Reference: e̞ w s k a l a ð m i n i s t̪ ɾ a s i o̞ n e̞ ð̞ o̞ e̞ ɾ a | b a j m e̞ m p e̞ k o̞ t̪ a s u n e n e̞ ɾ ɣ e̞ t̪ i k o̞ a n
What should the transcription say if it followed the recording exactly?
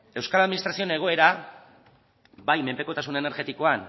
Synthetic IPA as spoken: e̞ w s k a l a ð m i n i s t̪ ɾ a s i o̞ n e̞ ɣ̞ o̞ e̞ ɾ a | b a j m e̞ m p e̞ k o̞ t̪ a s u n e n e̞ ɾ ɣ e̞ t̪ i k o̞ a n